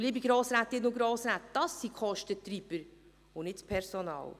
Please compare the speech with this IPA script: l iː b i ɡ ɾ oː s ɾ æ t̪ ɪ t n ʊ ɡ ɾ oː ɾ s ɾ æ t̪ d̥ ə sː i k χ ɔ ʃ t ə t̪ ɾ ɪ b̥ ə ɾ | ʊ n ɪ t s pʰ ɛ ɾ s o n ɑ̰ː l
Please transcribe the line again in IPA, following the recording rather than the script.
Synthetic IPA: l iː b i ɡ ɾ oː s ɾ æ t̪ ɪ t n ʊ ɡ ɾ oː s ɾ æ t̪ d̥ ɑ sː i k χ ɔ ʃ t ə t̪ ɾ i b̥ ə ɾ | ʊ n ɪ t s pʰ ɛ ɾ s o n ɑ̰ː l